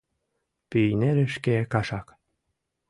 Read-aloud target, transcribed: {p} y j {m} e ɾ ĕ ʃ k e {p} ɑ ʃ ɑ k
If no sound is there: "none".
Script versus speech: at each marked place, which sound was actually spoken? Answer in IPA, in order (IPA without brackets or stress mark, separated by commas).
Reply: p, n, k